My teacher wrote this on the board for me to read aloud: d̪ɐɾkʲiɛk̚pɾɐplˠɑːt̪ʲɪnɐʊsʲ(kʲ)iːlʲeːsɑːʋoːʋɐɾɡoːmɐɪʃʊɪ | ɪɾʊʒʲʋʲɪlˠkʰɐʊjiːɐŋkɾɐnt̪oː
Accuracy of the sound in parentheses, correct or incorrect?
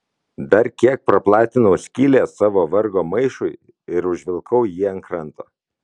correct